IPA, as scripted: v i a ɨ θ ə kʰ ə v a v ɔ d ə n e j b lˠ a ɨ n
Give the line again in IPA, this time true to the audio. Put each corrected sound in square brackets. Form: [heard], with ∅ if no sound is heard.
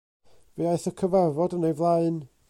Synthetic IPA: v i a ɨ θ ə kʰ ə v a v ɔ d ə n e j [v] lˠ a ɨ n